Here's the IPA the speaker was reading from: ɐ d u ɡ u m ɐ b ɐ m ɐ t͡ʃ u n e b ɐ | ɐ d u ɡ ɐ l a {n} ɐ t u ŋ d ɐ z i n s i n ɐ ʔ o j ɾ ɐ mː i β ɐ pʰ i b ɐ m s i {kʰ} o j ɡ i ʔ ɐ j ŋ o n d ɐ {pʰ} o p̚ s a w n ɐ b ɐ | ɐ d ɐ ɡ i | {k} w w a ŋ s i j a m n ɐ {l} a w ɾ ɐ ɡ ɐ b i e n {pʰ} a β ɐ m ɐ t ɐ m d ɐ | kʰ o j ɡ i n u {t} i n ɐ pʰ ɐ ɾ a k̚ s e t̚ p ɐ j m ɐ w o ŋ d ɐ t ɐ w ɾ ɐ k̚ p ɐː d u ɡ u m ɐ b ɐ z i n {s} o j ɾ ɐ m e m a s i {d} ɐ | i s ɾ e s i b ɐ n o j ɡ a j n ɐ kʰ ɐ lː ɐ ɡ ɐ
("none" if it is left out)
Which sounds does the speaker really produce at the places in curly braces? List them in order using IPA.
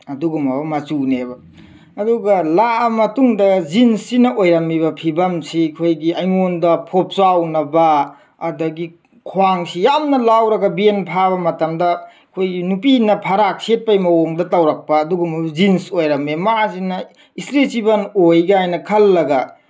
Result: m, kʰ, pʰ, kʰ, l, pʰ, p, s, n

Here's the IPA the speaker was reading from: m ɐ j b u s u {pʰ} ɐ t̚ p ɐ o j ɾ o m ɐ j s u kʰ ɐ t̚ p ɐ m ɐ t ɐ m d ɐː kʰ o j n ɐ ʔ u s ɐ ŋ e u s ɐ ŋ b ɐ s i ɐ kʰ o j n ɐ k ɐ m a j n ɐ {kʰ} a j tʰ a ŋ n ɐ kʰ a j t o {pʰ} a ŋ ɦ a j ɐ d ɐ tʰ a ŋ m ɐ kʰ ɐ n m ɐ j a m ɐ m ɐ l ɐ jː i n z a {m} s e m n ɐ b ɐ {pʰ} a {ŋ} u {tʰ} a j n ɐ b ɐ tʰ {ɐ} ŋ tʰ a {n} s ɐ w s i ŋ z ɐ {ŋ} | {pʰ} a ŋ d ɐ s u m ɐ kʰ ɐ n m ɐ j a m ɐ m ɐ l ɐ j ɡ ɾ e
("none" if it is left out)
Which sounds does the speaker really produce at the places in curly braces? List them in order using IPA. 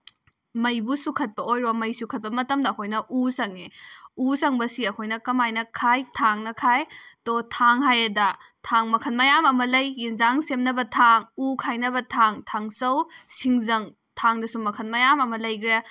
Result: kʰ, kʰ, tʰ, ŋ, tʰ, ŋ, kʰ, a, ŋ, ŋ, tʰ

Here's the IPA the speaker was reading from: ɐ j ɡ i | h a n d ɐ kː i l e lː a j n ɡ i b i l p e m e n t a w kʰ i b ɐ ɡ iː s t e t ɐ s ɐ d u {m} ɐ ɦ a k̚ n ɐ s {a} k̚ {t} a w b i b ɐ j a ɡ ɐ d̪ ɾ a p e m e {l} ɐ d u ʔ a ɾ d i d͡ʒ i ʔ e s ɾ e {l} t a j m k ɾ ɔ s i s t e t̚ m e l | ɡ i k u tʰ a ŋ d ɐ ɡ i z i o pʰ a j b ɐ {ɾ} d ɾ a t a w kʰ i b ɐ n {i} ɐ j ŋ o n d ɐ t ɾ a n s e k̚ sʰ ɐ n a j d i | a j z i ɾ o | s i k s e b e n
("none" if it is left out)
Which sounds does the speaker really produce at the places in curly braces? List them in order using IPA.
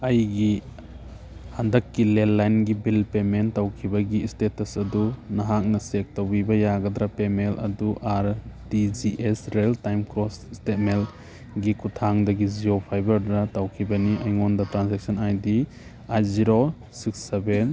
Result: n, e, t, l, l, ɾ, i

